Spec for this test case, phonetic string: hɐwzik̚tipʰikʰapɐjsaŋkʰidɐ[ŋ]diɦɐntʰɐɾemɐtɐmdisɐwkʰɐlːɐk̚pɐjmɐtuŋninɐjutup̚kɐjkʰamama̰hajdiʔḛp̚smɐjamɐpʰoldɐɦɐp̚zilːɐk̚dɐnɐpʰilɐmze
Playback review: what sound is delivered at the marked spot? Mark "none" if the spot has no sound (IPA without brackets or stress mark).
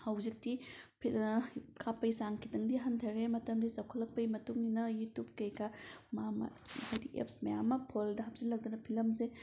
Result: ŋ